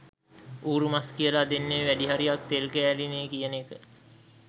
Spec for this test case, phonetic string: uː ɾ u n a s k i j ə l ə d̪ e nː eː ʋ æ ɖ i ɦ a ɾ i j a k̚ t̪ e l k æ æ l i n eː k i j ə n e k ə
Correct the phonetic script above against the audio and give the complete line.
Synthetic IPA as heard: uː ɾ u m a s k i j ə l a d̪ e nː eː ʋ æ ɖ i ɦ a ɾ i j a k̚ t̪ e l k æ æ l i n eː k i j ə n e k ə